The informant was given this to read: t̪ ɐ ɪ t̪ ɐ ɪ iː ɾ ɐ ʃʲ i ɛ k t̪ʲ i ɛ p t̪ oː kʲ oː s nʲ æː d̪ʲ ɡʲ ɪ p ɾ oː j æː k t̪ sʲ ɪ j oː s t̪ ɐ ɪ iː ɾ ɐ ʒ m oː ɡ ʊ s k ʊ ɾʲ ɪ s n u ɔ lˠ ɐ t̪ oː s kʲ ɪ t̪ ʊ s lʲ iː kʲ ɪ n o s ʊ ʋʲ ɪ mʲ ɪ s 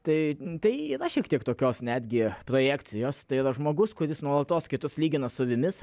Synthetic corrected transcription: t̪ ɐ ɪ t̪ ɐ ɪ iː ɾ ɐ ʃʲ i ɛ k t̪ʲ i ɛ k t̪ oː kʲ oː s nʲ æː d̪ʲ ɡʲ ɪ p ɾ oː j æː k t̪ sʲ ɪ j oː s t̪ ɐ ɪ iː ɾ ɐ ʒ m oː ɡ ʊ s k ʊ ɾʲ ɪ s n u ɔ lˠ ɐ t̪ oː s kʲ ɪ t̪ ʊ s lʲ iː ɡʲ ɪ n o s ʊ ʋʲ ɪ mʲ ɪ s